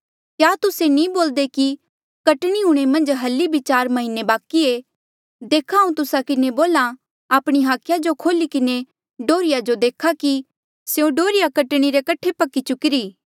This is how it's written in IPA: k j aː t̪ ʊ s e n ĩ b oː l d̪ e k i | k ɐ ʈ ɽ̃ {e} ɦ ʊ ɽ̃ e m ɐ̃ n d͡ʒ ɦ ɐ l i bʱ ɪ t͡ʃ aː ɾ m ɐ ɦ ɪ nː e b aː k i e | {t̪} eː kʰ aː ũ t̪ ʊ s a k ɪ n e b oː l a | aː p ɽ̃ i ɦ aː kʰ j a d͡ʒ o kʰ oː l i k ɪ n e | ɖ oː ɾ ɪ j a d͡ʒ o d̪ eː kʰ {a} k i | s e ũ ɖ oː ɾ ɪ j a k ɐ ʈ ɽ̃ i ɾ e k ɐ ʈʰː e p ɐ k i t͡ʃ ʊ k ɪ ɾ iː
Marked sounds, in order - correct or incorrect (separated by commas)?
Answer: incorrect, incorrect, correct